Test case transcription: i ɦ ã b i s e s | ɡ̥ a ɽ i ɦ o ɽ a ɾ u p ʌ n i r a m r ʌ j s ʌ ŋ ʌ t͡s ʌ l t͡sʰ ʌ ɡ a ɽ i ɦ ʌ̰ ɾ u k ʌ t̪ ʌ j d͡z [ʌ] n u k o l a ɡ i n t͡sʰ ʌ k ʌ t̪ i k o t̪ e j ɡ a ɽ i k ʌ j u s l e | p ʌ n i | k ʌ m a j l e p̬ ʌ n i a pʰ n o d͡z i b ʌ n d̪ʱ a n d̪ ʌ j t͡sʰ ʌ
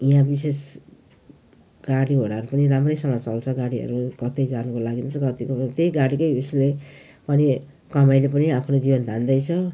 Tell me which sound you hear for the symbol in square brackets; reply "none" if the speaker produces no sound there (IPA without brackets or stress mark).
a